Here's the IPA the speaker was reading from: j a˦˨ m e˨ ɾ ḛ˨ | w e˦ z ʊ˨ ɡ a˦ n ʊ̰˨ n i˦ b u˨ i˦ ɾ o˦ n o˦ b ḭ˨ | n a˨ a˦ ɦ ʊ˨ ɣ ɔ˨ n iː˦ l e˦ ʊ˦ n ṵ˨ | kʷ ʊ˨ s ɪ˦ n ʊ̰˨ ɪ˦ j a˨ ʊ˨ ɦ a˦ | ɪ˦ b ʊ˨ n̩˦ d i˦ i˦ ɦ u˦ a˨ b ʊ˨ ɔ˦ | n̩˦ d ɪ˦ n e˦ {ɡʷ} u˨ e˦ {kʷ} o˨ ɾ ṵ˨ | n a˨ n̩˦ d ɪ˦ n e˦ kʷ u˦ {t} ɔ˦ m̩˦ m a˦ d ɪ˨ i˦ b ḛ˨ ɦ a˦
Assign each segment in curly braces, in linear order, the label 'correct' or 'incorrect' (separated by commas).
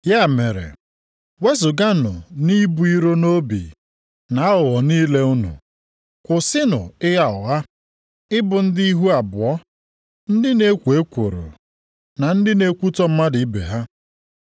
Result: incorrect, correct, correct